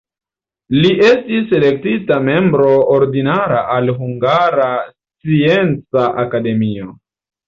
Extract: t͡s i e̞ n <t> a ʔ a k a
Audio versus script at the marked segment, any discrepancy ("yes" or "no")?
yes